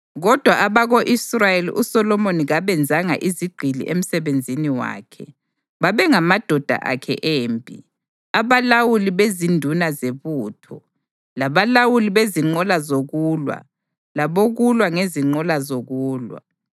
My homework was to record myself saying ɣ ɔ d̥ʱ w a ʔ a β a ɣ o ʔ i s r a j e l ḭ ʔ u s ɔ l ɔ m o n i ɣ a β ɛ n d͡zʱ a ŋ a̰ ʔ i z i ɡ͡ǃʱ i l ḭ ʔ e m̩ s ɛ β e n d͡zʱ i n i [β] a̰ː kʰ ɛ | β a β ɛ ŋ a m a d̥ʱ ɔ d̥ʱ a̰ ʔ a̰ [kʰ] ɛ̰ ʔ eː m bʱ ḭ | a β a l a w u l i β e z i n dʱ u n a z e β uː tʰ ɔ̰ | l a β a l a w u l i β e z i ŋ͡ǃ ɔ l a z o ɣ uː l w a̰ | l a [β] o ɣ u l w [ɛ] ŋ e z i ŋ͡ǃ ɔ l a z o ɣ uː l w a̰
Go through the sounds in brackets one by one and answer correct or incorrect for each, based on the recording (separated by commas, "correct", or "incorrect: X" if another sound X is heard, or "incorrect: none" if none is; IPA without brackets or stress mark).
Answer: incorrect: w, correct, correct, incorrect: a